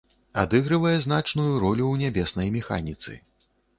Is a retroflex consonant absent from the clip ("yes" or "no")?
no